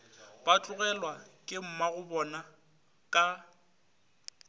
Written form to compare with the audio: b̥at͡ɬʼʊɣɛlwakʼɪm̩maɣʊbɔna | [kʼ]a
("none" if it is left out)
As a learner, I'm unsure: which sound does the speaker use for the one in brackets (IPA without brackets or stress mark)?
kʼ